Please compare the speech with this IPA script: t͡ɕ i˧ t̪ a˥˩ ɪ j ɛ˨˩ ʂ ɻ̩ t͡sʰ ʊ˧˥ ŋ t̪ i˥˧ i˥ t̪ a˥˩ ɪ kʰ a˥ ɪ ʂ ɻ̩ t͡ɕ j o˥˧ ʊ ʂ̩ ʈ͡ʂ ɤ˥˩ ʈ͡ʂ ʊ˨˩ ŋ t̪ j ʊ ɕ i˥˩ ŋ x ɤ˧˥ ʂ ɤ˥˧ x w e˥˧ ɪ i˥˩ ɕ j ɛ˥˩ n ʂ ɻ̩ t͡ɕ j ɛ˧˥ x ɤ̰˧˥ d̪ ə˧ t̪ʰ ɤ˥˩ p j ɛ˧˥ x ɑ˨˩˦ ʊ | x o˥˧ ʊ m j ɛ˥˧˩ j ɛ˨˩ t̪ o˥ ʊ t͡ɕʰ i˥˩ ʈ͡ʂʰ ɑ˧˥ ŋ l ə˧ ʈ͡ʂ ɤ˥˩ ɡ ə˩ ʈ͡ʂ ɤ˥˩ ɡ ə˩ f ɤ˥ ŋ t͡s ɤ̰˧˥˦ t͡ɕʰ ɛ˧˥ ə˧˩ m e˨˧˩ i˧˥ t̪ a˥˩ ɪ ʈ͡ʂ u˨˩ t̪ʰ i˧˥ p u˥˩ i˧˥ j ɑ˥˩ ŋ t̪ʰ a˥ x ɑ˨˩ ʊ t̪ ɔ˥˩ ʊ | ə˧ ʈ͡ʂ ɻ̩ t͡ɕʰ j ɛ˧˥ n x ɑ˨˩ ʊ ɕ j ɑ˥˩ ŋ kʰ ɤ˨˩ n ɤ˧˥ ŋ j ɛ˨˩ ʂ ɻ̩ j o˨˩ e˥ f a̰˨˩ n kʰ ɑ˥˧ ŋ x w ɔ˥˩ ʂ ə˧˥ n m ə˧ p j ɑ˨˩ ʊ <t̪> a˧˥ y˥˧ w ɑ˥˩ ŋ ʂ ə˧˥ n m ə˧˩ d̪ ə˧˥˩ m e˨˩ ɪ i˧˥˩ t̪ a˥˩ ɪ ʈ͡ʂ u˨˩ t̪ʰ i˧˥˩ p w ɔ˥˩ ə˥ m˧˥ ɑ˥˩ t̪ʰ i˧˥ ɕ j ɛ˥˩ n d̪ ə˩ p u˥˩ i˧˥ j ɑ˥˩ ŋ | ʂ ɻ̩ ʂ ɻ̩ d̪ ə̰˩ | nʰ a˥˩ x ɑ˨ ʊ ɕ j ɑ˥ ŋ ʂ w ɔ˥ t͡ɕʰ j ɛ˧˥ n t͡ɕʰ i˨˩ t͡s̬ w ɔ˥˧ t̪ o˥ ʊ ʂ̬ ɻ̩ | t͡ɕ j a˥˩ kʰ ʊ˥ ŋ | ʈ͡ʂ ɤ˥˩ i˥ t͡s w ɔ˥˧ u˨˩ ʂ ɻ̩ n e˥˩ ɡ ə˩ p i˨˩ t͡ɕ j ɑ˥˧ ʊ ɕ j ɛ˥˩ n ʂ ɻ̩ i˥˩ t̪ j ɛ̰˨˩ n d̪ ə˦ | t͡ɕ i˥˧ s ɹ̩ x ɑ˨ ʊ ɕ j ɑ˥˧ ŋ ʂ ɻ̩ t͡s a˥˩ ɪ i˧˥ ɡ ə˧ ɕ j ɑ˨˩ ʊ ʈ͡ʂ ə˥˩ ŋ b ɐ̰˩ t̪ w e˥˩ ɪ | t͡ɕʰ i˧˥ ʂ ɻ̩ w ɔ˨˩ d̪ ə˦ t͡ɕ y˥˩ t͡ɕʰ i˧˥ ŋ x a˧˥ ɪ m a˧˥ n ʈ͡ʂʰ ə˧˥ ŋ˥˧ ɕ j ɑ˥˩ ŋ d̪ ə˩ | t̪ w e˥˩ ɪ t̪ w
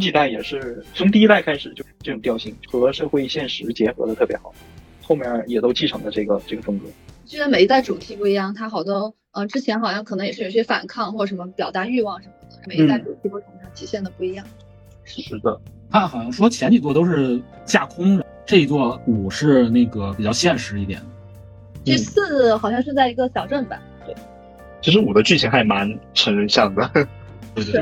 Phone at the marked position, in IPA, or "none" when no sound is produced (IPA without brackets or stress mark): t̪